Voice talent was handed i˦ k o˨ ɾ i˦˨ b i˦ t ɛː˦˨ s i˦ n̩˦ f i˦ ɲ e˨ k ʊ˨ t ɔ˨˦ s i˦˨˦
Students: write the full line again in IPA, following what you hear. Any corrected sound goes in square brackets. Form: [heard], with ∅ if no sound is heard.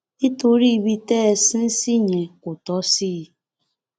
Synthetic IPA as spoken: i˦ [t] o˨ ɾ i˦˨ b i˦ t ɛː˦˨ s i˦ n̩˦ [s] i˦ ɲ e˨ k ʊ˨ t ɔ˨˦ s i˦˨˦